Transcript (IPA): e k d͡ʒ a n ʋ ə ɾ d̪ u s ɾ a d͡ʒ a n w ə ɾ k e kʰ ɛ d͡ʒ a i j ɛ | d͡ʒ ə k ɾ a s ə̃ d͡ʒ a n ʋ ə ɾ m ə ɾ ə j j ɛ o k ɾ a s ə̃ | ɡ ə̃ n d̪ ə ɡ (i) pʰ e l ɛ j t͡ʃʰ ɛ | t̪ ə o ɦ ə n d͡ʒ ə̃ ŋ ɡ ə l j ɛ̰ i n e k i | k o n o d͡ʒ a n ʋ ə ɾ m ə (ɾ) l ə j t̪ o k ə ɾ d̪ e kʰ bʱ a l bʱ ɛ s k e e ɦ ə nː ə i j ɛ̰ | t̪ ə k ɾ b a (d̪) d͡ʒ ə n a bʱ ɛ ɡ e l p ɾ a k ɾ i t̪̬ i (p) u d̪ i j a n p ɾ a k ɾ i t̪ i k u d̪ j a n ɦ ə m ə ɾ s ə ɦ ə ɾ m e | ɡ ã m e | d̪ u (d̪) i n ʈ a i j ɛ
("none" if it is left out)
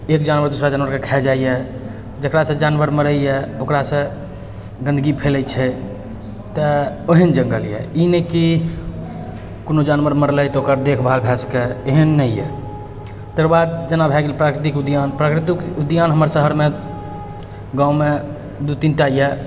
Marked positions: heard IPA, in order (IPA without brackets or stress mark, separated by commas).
i, ɾ, d̪, k, t̪